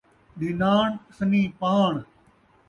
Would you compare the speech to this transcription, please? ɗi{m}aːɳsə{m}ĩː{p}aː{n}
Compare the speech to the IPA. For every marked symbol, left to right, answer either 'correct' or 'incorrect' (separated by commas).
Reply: incorrect, incorrect, correct, incorrect